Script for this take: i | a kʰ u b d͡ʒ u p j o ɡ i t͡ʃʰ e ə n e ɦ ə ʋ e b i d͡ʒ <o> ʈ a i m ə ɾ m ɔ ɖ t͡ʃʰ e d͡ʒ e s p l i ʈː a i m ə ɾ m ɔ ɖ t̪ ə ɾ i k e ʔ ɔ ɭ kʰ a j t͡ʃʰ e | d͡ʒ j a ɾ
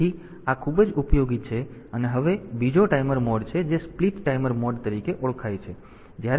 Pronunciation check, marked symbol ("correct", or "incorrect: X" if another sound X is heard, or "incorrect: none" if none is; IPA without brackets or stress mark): correct